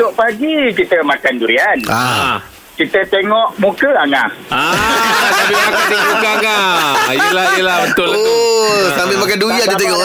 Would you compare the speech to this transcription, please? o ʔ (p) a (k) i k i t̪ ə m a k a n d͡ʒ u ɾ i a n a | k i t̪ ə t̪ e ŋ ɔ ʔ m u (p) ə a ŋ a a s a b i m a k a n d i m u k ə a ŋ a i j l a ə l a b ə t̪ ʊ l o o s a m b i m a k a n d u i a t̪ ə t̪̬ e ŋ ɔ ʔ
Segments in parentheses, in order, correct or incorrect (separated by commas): correct, incorrect, incorrect